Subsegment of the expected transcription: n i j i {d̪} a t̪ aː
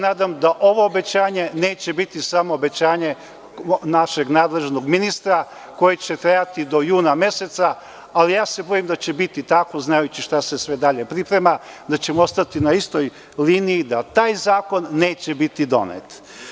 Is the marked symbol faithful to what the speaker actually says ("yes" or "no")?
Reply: yes